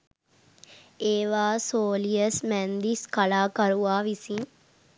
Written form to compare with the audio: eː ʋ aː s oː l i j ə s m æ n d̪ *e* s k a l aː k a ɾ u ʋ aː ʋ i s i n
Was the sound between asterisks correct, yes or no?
no